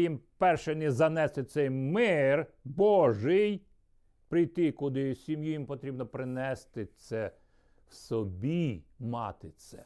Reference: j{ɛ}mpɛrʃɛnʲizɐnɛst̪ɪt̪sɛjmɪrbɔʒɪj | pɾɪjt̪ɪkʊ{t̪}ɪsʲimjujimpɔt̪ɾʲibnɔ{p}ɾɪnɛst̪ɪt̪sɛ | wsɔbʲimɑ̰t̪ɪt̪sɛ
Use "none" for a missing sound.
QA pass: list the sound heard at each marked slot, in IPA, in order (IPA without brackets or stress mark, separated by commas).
i, d̪, p